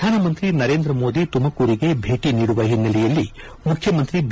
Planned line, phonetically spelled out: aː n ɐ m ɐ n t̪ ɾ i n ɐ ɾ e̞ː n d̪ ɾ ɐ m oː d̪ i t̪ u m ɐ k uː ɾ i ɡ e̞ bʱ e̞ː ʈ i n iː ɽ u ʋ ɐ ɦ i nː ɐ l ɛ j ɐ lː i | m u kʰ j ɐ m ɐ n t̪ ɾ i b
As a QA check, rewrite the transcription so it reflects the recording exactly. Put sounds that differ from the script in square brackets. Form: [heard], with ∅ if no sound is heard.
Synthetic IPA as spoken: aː n ɐ m ɐ n t̪ ɾ i n ɐ ɾ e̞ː n d̪ ɾ ɐ m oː d̪ i t̪ u m ɐ k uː ɾ i ɡ e̞ bʱ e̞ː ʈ i n iː ɽ u ʋ ɐ ɦ i nː ɐ l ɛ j ɐ lː i | m u kʰ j ɐ m ɐ n t̪ ɾ i b